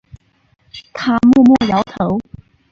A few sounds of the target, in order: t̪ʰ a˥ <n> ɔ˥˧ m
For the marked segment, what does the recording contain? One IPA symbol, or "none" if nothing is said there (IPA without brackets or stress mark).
m